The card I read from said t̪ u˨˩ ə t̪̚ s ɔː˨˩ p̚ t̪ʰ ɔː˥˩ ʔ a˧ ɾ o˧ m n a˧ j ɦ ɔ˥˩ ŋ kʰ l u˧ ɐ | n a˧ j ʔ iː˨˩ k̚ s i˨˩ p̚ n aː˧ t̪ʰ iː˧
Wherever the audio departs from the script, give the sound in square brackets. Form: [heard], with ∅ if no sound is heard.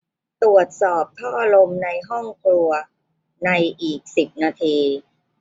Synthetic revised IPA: t̪ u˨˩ ə t̪̚ s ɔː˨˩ p̚ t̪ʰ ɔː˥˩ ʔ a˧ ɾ o˧ m n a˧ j ɦ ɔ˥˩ ŋ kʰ l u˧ ɐ | n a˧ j ʔ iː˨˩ k̚ s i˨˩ p̚ n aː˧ t̪ʰ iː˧

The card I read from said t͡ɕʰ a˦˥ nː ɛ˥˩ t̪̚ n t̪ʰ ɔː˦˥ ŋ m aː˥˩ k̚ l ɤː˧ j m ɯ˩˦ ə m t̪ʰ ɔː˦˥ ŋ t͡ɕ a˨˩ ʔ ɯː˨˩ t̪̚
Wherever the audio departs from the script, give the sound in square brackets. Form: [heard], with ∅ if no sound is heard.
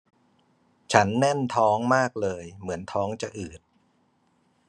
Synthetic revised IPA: t͡ɕʰ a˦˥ nː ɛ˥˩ [∅] n t̪ʰ ɔː˦˥ ŋ m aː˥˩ k̚ l ɤː˧ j m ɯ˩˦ ə [n] t̪ʰ ɔː˦˥ ŋ t͡ɕ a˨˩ ʔ ɯː˨˩ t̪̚

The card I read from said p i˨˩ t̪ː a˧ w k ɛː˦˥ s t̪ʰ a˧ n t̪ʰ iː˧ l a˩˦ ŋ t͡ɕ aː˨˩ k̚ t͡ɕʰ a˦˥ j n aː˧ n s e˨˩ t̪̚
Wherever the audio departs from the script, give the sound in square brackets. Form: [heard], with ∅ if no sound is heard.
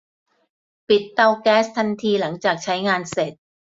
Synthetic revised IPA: p i˨˩ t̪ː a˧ w k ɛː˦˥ s t̪ʰ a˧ n t̪ʰ iː˧ l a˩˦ ŋ t͡ɕ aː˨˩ k̚ t͡ɕʰ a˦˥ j [ŋ] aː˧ n s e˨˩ t̪̚

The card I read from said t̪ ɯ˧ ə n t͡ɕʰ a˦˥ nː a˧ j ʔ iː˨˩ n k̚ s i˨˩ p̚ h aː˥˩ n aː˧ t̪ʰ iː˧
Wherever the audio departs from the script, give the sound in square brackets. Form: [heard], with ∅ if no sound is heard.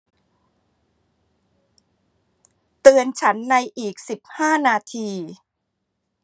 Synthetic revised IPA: t̪ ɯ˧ ə n t͡ɕʰ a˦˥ nː a˧ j ʔ iː˨˩ [∅] k̚ s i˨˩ p̚ h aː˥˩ n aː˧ t̪ʰ iː˧

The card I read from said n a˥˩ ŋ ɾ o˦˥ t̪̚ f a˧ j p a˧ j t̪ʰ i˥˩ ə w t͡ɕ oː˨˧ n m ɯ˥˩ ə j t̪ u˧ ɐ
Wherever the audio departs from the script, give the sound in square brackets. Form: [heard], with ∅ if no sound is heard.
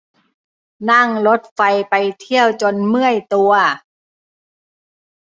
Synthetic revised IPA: n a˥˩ ŋ [l] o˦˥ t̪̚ f a˧ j p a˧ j t̪ʰ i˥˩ ə w t͡ɕ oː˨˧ n m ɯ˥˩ ə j t̪ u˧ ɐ

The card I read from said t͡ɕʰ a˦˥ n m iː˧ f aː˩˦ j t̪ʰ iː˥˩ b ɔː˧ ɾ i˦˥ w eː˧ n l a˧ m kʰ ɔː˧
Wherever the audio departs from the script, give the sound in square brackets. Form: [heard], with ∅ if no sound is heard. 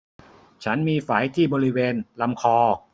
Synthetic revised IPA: t͡ɕʰ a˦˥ n m iː˧ f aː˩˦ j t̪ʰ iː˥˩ b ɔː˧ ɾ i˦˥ w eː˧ n l a˧ m kʰ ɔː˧

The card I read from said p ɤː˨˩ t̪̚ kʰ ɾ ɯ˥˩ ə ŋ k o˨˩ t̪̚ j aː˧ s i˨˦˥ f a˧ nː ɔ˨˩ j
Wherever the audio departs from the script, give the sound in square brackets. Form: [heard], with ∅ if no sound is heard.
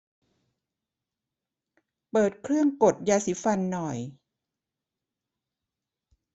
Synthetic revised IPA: p ɤː˨˩ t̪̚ kʰ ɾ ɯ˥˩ ə ŋ k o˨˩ t̪̚ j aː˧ s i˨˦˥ f a˧ nː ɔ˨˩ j

